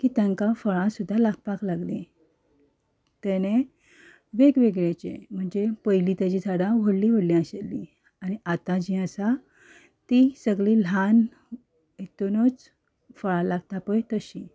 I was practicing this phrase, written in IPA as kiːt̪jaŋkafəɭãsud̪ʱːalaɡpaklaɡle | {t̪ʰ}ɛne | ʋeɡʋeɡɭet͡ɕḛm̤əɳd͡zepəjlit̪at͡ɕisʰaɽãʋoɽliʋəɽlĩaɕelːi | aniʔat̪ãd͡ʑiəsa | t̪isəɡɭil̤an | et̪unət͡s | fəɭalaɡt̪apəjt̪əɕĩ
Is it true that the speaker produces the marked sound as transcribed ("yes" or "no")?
no